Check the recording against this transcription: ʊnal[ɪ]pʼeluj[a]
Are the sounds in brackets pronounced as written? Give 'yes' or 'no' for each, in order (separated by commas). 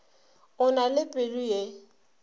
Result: yes, no